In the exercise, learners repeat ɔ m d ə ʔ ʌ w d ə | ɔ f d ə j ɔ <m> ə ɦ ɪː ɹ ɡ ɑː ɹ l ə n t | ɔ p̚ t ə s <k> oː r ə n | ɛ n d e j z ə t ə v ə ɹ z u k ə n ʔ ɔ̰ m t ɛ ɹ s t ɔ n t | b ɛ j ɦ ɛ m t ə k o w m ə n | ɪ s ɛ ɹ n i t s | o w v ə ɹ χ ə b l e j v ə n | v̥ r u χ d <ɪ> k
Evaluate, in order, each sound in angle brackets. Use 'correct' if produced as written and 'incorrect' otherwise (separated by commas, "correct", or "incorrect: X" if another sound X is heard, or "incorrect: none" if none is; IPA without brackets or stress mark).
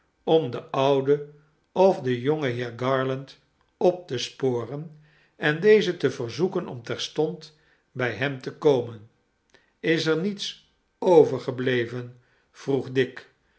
incorrect: ŋ, incorrect: p, correct